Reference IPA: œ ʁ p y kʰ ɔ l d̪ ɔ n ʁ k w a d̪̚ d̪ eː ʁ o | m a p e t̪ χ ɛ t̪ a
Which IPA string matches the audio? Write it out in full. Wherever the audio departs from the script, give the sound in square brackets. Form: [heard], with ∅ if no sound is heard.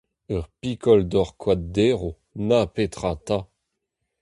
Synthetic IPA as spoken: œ ʁ p [i] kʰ ɔ l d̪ ɔ [∅] ʁ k w a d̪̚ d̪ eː ʁ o | [n] a p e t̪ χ [a] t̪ a